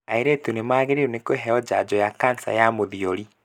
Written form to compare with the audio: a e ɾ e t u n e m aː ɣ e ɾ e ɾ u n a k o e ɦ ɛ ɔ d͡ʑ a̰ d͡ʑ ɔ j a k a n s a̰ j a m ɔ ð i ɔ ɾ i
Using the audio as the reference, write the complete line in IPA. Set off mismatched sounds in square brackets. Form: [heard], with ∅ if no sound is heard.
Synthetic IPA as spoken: a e ɾ e t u n e m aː ɣ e ɾ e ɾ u n [e] k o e ɦ ɛ ɔ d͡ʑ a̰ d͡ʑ ɔ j a k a n s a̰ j a m [o] ð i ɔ ɾ i

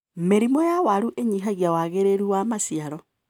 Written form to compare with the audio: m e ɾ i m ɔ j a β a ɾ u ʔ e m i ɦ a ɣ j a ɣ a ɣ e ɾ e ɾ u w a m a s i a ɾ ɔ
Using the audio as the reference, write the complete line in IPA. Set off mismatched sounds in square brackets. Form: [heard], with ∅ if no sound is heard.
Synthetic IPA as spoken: m e ɾ i m ɔ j a [w] a ɾ u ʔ e [ɲ] i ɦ a ɣ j a [w] a ɣ e ɾ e ɾ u w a m a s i a ɾ ɔ

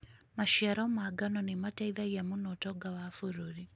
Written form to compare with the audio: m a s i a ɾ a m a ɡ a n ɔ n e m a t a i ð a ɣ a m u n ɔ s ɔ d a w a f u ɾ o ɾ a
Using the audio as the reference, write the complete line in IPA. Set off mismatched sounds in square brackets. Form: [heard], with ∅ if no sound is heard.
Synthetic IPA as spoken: m a [ʃ] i a ɾ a m a ɡ a n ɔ n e m a t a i ð a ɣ a m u n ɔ [t] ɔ [ɡ] a w a f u ɾ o ɾ [i]

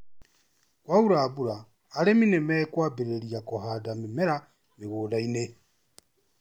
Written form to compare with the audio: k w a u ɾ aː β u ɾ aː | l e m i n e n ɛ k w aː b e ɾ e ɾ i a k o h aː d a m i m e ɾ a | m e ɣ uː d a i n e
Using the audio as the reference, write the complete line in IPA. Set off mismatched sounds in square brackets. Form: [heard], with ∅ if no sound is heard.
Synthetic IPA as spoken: k w a u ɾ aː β u ɾ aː | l e m i n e [m] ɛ k w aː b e ɾ e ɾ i a k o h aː d a m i m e ɾ a | m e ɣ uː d a i n e

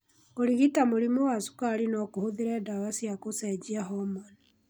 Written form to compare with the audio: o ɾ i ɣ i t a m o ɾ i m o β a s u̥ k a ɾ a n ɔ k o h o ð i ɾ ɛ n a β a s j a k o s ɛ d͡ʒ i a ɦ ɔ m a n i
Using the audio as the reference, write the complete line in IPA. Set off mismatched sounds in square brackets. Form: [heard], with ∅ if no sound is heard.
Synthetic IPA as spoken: o ɾ i ɣ i t a m o ɾ i m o [w] a s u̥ k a ɾ [i] n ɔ k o h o ð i ɾ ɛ [d] a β a s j a k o s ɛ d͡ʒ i a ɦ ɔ m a n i

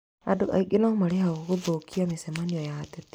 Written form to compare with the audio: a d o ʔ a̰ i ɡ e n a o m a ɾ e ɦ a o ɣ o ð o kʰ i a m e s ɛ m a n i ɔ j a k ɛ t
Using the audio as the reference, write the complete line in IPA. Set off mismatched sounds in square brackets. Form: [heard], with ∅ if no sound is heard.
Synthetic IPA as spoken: a d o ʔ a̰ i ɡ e n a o m a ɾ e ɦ a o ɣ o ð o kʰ i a m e s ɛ m a n i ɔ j a [t] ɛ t

